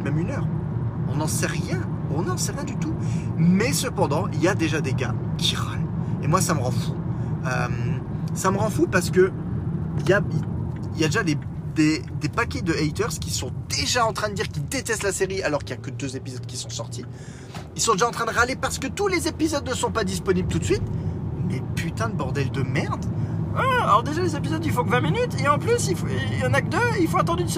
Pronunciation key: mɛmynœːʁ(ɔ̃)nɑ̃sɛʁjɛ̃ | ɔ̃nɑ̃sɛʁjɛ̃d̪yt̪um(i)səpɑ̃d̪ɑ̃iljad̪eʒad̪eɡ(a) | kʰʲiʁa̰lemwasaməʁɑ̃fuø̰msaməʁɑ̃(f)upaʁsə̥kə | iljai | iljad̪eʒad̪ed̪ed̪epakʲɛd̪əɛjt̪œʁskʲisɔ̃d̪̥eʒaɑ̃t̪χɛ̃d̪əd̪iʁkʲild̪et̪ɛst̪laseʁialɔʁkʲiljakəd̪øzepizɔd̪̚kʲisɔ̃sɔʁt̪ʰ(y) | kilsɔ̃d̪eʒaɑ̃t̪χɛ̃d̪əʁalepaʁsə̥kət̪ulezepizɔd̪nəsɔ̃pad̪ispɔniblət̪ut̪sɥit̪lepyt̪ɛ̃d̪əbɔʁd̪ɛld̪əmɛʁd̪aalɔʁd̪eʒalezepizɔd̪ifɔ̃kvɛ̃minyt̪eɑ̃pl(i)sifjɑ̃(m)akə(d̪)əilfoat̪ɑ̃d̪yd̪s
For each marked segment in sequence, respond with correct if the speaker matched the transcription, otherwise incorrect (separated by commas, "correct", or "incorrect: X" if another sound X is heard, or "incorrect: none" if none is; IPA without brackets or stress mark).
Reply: correct, incorrect: ɛ, correct, correct, incorrect: i, incorrect: y, incorrect: n, correct